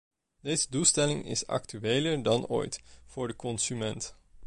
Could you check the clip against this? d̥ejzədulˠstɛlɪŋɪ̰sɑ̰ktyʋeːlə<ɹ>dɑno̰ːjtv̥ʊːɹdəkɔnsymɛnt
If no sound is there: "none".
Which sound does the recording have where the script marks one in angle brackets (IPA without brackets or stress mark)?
ɹ